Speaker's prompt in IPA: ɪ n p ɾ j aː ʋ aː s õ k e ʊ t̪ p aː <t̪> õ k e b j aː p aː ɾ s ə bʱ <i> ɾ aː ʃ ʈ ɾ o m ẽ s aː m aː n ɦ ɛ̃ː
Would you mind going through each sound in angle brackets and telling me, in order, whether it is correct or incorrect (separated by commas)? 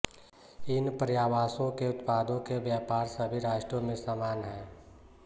incorrect, correct